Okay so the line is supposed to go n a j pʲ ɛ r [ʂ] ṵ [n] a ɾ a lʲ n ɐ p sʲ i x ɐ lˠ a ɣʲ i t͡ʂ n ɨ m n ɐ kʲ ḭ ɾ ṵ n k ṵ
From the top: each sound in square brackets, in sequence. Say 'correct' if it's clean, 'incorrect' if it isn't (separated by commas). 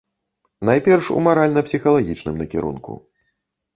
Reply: correct, incorrect